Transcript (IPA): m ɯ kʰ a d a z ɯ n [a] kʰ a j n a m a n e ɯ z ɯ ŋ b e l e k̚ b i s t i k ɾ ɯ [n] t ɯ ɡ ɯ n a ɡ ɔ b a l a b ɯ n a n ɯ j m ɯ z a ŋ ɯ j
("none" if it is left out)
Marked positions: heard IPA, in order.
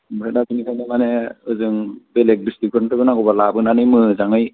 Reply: i, n

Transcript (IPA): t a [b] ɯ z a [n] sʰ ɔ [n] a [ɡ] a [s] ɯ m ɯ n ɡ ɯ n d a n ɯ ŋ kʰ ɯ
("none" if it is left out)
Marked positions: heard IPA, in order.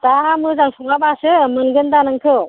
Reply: m, ŋ, ŋ, b, s

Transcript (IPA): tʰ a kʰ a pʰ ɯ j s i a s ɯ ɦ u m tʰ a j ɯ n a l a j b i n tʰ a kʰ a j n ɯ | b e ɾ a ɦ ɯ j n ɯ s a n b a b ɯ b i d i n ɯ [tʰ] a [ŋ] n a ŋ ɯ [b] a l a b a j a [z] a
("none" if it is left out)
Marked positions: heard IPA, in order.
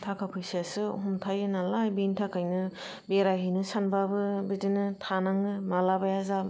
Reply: tʰ, none, m, z

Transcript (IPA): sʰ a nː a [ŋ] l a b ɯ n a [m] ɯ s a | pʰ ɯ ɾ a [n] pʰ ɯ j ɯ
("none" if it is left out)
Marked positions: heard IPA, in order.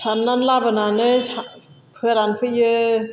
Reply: n, n, n

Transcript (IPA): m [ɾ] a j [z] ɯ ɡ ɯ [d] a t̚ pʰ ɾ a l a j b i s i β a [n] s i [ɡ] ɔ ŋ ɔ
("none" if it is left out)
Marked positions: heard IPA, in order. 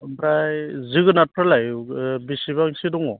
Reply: ɾ, z, n, ŋ, d

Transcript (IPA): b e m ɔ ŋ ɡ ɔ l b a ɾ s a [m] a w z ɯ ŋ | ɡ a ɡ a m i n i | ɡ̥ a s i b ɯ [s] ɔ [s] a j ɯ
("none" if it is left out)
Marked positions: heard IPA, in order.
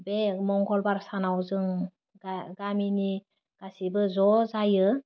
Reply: n, z, z

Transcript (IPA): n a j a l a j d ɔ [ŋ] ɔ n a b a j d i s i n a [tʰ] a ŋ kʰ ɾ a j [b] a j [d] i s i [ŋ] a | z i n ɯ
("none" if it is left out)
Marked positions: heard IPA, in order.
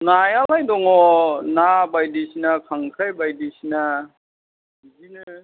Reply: ŋ, kʰ, b, d, n

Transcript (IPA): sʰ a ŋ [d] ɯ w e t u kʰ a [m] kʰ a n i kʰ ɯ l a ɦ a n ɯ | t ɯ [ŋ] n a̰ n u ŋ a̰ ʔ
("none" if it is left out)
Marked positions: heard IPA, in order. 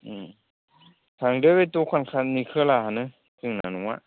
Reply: d, n, ŋ

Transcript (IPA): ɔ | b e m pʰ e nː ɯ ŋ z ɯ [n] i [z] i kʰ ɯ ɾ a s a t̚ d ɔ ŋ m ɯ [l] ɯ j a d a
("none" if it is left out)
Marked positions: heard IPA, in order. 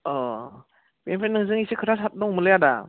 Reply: ŋ, s, l

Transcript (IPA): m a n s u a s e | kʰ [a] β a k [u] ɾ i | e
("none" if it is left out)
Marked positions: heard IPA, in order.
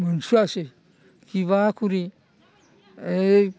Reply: i, u

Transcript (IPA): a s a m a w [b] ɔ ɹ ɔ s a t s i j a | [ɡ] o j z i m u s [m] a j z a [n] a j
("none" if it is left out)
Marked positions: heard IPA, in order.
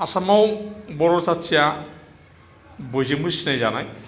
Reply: b, b, n, n

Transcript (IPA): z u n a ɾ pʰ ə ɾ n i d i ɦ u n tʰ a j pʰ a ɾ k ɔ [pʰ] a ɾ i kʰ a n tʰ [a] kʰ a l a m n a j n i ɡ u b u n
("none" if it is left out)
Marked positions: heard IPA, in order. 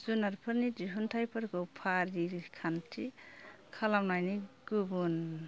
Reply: pʰ, i

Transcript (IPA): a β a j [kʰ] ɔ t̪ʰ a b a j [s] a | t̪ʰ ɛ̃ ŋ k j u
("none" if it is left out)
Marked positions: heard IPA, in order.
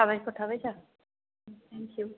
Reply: k, s

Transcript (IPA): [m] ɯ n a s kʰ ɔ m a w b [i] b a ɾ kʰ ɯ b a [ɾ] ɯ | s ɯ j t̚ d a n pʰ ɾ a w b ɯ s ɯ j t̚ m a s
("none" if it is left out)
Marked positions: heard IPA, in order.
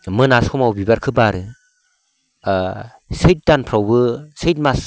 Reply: m, i, ɾ

